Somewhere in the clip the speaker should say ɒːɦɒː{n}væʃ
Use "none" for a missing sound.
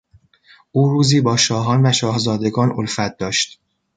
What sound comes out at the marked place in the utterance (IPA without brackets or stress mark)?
n